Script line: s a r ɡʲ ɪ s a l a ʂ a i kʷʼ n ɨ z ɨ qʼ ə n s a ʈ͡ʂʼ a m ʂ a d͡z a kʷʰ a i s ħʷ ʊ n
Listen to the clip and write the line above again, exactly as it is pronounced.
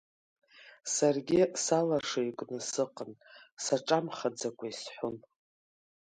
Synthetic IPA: s a r ɡʲ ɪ s a l a ʂ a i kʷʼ n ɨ s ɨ qʼ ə n s a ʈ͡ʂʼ a m χ a d͡z a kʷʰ a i s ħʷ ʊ n